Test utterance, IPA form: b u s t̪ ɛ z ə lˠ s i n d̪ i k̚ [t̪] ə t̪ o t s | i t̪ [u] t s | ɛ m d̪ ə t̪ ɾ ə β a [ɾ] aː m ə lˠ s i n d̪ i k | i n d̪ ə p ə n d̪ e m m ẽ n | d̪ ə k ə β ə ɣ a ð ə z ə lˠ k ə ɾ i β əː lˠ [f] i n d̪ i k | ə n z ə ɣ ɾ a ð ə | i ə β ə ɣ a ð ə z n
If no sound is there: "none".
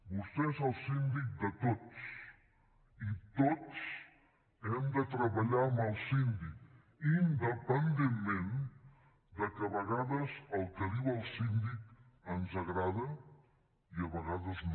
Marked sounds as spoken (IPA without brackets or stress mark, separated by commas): d̪, o, ʎ, s